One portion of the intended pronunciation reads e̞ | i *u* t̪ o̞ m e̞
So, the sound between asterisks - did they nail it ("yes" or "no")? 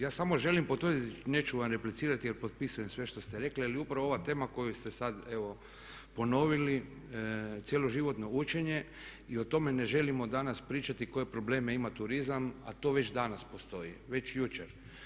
no